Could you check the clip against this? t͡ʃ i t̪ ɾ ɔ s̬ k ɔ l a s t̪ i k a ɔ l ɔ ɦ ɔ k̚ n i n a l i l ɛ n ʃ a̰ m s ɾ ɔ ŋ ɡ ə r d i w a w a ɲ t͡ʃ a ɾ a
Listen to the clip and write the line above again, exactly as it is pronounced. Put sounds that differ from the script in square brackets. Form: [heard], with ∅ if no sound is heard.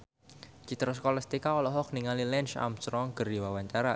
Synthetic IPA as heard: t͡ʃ i t̪ ɾ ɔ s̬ k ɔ l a s t̪ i k a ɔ l ɔ ɦ ɔ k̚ n i [ŋ] a l i l ɛ n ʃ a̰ m s ɾ ɔ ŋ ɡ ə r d i w a w a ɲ t͡ʃ a ɾ a